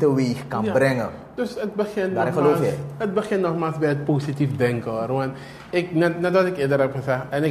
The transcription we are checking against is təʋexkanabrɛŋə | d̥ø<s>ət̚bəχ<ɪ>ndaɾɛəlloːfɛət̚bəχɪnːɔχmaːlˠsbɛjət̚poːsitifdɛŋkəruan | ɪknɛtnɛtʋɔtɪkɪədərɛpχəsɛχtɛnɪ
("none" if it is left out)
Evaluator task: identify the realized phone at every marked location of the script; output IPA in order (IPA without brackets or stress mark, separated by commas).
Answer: s, ɪ